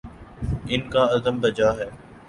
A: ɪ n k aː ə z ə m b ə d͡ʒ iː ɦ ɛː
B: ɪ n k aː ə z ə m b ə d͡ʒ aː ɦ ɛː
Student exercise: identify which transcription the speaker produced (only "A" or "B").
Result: B